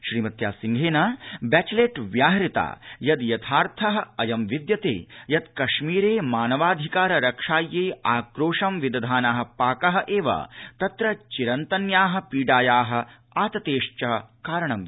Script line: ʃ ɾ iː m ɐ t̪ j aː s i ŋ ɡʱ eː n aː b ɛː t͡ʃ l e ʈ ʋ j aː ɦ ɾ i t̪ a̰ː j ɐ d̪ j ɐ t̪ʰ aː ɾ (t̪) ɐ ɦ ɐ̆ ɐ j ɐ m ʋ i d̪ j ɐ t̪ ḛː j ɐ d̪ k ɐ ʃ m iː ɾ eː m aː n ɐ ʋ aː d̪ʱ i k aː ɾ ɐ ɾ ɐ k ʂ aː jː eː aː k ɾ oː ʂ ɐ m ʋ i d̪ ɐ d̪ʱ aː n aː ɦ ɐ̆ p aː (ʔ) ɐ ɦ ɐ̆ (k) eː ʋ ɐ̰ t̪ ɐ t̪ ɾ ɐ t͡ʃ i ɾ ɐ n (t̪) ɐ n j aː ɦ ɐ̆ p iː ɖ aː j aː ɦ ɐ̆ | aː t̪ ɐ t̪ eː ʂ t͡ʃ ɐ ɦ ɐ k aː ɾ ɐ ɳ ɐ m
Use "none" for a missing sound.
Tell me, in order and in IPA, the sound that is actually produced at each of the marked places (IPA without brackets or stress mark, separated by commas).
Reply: t̪ʰ, k, ʔ, t̪